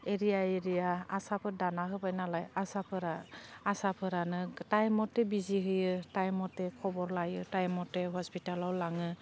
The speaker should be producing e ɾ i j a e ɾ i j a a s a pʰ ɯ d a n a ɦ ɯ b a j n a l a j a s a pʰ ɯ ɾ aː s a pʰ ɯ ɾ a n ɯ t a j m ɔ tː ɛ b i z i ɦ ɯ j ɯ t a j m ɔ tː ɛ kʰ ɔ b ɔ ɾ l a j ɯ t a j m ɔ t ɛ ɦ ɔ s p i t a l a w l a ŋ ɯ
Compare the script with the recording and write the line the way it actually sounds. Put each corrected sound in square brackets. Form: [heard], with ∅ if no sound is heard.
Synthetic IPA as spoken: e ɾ i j a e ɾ i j a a s a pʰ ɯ d a n a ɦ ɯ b a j n a l a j a s a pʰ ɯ ɾ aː s a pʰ ɯ ɾ a n ɯ t a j m ɔ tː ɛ b i z i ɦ ɯ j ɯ t a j m ɔ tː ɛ kʰ ɔ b ɔ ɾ l a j ɯ t a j m ɔ t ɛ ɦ ɔ s p i t a l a w l a ŋ ɯ